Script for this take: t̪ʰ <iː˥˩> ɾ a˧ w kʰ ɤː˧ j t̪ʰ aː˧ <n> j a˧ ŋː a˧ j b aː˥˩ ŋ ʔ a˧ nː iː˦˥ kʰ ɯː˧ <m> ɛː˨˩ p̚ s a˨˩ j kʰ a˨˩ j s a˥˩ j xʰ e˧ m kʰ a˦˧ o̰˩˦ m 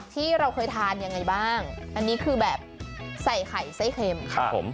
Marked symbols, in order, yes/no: yes, yes, no

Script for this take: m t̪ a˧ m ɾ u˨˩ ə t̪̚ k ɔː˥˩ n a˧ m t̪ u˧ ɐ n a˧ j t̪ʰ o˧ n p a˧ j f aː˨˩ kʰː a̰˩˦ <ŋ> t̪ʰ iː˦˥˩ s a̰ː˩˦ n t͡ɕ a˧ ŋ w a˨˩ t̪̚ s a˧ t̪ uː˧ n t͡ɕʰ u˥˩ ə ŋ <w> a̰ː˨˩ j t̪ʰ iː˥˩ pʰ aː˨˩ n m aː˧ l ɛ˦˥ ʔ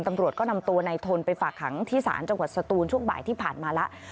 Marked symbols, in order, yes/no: yes, no

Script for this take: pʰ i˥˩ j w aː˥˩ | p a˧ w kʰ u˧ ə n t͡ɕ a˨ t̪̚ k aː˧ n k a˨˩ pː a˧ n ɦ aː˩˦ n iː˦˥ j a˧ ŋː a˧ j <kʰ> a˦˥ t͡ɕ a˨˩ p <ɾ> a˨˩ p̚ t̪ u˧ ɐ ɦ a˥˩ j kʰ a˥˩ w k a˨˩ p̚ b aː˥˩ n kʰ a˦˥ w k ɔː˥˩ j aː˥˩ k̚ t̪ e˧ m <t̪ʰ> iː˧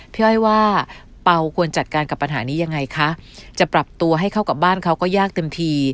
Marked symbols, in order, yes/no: yes, yes, yes

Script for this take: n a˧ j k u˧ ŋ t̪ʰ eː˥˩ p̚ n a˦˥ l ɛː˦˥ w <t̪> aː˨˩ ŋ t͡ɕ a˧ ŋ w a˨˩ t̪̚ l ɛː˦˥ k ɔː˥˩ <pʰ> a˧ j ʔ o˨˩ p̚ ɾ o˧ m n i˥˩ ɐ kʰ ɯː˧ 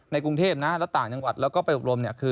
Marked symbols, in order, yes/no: yes, no

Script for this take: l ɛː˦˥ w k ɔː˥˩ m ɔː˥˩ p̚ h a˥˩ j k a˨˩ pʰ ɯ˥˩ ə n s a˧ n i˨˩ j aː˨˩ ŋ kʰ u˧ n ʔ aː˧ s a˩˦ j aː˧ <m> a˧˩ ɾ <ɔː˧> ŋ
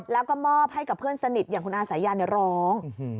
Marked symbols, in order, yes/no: no, no

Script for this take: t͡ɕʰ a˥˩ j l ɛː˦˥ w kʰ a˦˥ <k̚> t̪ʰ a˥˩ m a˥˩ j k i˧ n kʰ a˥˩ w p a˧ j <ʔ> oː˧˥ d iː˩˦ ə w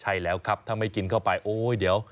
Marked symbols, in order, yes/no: no, yes

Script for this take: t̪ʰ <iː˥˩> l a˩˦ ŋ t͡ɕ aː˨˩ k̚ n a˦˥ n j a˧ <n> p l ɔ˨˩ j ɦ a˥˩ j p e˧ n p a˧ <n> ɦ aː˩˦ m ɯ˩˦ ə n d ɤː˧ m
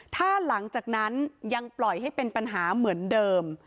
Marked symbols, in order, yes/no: no, no, yes

